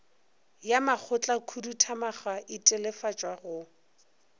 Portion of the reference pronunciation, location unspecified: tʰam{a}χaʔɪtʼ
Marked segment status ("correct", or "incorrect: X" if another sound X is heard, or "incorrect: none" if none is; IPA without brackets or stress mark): correct